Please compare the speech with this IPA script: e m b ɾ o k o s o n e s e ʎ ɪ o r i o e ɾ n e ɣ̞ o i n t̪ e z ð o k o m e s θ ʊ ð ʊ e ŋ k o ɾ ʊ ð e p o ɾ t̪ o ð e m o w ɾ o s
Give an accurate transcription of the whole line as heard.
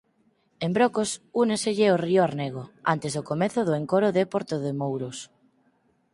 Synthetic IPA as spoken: e m b ɾ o k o s u n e s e ʎ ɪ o r i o a ɾ n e ɣ̞ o a n t̪ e z ð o k o m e θ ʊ ð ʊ e ŋ k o ɾ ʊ ð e p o ɾ t̪ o ð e m o w ɾ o s